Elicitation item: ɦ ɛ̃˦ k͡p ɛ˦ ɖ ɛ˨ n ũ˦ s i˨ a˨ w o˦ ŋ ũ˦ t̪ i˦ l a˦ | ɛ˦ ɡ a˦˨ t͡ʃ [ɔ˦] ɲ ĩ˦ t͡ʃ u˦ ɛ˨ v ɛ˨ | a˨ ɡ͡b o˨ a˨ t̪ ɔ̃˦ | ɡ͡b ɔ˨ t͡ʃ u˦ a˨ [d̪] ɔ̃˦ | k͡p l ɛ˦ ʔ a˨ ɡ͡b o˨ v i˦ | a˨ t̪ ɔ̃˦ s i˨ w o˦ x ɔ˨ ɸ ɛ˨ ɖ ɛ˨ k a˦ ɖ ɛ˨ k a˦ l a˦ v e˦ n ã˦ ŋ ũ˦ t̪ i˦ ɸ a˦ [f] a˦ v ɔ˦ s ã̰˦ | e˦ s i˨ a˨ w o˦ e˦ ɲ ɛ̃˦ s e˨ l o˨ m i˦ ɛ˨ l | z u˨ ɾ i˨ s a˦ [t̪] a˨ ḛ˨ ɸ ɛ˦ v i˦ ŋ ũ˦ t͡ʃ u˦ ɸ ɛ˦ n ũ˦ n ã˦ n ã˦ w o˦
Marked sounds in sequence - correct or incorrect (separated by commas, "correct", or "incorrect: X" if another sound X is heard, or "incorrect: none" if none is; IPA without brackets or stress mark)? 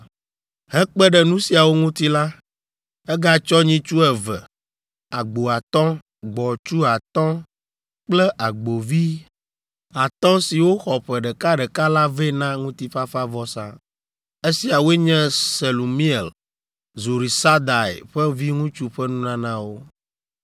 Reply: correct, incorrect: t̪, correct, incorrect: d̪